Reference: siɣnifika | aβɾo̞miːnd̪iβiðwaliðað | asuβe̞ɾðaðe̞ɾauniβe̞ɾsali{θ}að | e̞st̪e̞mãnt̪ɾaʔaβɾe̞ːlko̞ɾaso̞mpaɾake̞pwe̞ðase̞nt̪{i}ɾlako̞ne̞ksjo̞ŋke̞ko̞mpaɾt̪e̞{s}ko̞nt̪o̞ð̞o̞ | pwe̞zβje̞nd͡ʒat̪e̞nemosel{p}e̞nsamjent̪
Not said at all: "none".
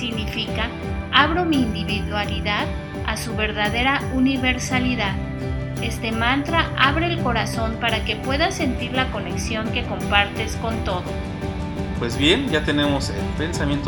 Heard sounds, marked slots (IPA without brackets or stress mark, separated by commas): ð, i, s, p